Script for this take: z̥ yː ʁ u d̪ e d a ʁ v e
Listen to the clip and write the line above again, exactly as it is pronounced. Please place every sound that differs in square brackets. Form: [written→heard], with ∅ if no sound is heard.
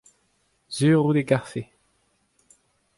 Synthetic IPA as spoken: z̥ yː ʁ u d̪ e [d→ɡ] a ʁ [v→f] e